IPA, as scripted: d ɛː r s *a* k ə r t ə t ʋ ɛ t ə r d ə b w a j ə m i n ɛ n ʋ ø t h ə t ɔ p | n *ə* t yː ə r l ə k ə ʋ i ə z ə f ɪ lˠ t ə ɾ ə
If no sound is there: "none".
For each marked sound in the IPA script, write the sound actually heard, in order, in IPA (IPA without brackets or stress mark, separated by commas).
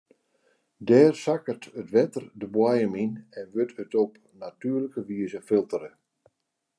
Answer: a, a